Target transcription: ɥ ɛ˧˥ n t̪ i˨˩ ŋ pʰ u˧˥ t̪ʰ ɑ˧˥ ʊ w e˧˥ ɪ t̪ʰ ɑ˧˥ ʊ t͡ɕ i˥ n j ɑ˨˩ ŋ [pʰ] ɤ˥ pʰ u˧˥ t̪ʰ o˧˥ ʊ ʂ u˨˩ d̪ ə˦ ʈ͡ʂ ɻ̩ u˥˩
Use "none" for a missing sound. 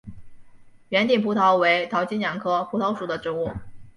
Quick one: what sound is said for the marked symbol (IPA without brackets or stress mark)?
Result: kʰ